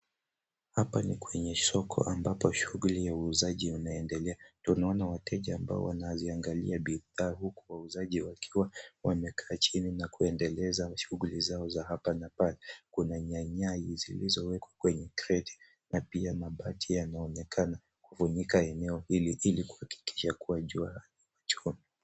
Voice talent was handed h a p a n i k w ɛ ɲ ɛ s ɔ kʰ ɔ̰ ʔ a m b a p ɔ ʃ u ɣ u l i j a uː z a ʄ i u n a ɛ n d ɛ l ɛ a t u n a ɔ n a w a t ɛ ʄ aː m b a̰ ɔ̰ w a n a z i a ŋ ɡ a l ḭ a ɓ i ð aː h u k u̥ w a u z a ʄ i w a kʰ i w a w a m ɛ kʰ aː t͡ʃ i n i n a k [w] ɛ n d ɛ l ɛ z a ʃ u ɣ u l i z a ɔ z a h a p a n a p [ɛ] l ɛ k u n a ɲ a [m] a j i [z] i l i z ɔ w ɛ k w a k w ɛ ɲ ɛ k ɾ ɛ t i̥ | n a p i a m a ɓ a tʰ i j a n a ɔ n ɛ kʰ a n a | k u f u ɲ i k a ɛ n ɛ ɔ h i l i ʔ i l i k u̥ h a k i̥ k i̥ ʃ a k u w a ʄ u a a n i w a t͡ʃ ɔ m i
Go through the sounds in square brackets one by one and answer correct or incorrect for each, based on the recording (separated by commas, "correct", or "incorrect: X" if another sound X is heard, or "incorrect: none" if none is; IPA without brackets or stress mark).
incorrect: u, incorrect: a, incorrect: ɲ, correct